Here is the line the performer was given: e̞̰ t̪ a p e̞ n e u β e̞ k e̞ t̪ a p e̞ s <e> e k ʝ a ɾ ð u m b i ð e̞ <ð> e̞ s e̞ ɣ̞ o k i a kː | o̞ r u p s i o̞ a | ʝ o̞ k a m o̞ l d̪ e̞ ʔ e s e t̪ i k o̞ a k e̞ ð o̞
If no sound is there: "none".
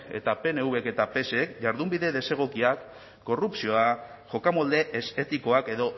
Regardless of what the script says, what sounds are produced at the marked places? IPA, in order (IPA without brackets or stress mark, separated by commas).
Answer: e, ð